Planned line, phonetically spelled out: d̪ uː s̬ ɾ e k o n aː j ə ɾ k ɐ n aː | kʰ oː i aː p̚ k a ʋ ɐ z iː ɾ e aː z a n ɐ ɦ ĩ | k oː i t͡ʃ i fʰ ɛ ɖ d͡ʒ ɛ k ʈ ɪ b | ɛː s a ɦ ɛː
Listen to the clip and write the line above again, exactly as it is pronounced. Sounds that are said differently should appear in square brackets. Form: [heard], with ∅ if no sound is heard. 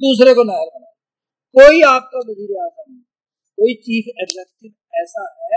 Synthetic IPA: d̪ uː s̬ ɾ e k o n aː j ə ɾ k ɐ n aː | [k] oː i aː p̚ k a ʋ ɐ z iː ɾ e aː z a n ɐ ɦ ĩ | k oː i t͡ʃ [iː] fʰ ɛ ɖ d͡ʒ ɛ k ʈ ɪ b | ɛː s a ɦ ɛː